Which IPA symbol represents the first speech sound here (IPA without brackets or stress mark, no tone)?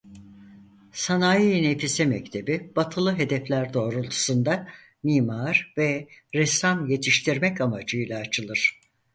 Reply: s